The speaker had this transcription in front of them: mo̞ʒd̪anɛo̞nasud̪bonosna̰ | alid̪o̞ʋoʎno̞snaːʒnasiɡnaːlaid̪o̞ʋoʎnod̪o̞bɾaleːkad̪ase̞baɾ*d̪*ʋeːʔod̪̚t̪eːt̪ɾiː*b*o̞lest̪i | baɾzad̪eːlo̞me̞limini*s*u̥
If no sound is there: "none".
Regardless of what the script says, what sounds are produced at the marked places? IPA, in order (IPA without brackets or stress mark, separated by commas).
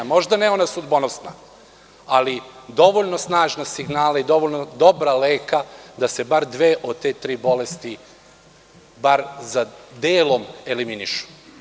d̪, b, ʃ